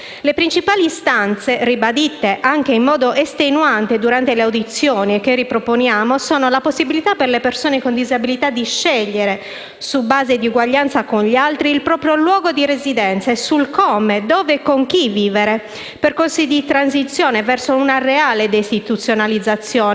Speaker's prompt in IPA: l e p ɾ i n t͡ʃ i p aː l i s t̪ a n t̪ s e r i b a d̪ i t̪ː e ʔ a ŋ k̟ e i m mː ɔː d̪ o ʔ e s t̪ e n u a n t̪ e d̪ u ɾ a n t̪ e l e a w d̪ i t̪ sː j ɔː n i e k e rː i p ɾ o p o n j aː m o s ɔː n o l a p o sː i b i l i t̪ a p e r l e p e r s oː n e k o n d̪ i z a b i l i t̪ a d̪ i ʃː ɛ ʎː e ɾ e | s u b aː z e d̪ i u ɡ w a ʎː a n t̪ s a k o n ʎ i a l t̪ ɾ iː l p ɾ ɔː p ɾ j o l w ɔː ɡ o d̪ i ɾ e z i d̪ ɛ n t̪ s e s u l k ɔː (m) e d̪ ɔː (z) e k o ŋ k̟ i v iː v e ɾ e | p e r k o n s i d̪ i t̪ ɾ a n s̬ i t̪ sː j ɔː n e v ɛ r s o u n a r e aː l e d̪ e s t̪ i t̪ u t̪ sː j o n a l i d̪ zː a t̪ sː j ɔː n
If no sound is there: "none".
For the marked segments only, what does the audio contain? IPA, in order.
m, v

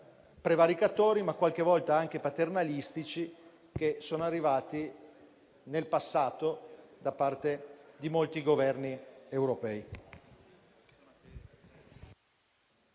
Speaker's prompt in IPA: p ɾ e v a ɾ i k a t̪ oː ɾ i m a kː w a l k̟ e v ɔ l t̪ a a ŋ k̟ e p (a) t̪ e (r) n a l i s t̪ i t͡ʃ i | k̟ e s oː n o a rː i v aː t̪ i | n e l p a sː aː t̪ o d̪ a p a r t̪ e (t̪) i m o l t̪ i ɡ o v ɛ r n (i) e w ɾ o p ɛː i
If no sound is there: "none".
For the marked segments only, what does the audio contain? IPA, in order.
a, r, d̪, i

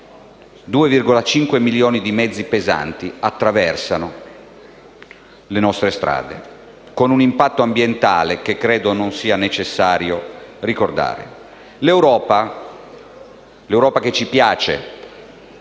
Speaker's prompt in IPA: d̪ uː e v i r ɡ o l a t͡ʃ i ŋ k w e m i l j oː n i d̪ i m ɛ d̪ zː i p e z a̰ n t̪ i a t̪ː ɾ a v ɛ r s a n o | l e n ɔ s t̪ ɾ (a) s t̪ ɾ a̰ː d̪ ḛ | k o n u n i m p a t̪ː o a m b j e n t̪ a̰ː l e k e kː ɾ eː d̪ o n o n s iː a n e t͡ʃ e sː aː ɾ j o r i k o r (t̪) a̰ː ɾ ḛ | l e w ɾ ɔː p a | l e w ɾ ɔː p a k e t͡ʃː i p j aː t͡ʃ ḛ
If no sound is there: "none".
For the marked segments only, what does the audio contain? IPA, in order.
e, d̪

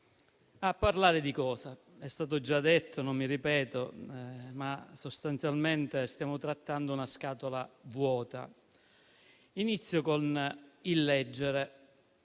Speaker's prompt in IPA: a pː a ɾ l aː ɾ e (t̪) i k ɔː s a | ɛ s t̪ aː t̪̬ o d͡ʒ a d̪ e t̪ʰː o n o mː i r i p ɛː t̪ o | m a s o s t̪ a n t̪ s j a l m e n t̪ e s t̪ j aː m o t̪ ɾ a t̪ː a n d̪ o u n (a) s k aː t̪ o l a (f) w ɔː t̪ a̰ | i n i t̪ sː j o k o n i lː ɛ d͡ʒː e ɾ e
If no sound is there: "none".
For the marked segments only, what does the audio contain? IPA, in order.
d̪, a, v

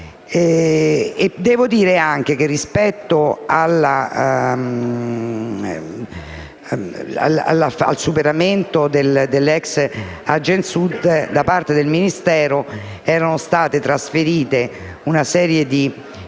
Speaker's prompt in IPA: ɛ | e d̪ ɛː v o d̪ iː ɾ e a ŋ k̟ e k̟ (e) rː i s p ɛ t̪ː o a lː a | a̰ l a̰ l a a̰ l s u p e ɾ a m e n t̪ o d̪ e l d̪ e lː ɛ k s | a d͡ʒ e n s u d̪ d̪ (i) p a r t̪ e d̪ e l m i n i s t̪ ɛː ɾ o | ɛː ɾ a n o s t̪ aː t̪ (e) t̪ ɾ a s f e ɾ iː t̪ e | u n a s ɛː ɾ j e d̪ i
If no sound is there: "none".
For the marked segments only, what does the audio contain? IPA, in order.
e, a, e

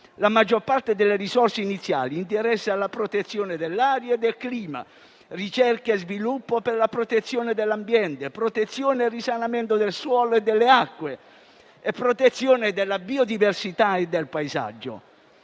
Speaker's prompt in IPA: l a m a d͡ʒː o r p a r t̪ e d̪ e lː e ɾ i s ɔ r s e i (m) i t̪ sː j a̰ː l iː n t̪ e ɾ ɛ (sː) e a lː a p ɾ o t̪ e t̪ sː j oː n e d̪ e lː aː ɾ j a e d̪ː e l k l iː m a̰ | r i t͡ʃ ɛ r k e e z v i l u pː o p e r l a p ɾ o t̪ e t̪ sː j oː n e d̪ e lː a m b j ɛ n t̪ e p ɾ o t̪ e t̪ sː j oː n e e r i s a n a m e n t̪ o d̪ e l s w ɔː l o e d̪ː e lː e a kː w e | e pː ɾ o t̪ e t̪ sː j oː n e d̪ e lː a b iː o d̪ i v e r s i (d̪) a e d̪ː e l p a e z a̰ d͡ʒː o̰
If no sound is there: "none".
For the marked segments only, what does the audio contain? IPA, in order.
n, sː, t̪

